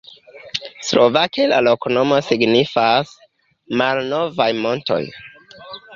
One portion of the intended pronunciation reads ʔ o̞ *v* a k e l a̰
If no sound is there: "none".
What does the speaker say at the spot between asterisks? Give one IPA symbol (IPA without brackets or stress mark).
v